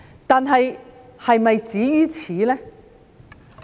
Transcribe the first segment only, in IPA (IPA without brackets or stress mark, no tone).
t̪